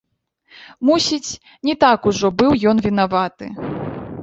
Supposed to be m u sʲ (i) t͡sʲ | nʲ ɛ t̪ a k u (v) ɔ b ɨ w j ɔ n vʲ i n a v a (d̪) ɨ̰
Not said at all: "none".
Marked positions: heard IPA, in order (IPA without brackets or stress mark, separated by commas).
i, ʐ, t̪